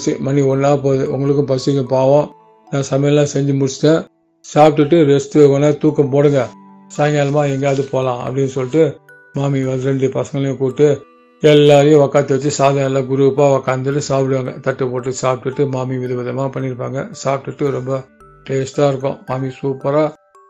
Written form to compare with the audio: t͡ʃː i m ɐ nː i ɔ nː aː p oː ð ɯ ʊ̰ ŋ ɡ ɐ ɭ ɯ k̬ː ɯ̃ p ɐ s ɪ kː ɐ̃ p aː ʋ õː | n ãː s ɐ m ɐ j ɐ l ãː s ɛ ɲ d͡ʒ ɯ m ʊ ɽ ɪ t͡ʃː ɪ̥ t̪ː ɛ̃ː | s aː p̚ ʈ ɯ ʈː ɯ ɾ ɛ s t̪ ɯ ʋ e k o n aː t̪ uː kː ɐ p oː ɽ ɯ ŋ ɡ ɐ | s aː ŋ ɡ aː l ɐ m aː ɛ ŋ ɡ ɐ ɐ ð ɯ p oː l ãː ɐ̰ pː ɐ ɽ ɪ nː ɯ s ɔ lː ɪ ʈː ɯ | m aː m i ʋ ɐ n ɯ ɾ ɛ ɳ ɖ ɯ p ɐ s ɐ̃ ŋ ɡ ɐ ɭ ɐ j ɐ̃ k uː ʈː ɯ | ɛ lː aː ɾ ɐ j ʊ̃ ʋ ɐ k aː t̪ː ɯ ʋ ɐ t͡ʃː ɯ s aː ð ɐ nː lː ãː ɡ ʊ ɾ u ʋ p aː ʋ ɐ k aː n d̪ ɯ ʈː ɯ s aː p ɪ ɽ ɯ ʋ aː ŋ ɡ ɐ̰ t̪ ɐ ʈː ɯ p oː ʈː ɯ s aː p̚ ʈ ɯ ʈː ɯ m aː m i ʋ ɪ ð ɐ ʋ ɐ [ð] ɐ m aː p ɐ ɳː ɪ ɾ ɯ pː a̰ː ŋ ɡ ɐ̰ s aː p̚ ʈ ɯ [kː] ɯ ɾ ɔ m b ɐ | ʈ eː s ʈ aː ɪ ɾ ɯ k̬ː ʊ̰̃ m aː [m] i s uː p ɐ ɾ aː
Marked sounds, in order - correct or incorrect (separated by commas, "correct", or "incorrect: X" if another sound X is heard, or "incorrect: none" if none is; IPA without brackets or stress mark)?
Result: correct, incorrect: ʈː, correct